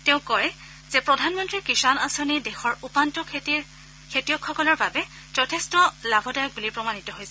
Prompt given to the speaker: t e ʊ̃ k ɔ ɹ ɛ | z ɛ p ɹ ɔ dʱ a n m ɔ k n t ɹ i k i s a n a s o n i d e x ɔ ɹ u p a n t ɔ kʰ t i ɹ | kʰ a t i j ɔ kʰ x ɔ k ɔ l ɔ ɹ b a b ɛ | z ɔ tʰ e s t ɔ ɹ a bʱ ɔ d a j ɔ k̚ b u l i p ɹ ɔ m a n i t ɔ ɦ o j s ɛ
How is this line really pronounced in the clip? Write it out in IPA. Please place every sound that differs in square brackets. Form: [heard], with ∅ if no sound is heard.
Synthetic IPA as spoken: t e ʊ̃ k ɔ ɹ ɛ | z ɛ p ɹ ɔ dʱ a n m ɔ [∅] n t ɹ i k i s a n a s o n i d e x ɔ ɹ u p a n t ɔ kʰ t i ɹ | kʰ [e] t i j ɔ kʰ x ɔ k ɔ l ɔ ɹ b a b ɛ | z ɔ tʰ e s t ɔ [l] a bʱ ɔ d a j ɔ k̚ b u l i p ɹ ɔ m a n i t ɔ ɦ o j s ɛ